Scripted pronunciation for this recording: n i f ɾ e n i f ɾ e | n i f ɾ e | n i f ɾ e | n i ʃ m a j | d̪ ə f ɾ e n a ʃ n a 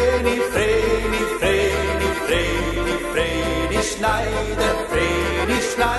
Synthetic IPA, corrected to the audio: n i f ɾ e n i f ɾ e | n i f ɾ e | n i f ɾ e | n i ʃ n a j | d̪ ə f ɾ e n i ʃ n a